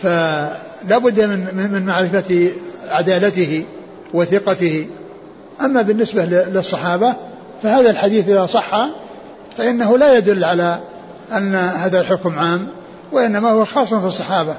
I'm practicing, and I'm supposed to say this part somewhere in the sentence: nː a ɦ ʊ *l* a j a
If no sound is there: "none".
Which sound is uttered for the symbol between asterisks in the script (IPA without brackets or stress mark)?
l